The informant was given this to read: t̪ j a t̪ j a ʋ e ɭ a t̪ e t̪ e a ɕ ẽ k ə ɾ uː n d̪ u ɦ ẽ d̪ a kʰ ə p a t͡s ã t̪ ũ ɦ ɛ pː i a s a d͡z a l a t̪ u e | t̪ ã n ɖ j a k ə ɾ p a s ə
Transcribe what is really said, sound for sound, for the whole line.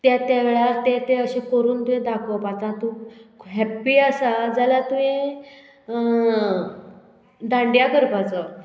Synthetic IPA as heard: t̪ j a t̪ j a ʋ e ɭ a t̪ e t̪ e ə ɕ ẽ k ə ɾ uː n t̪ u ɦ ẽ d̪ a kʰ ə p a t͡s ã t̪ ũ ɦ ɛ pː i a s a d͡z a l a t̪ u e | d̪ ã ɳ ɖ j a k ə ɾ p a t͡s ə